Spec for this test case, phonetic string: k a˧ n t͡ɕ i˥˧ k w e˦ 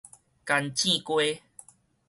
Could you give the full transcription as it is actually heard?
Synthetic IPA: k a˧ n t͡ɕ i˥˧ k w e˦